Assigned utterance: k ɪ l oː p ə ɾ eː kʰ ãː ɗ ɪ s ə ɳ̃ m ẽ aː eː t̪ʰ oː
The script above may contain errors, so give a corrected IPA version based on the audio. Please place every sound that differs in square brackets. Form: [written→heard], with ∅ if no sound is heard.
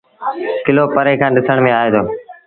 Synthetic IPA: k ɪ l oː p ə ɾ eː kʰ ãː ɗ ɪ s ə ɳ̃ m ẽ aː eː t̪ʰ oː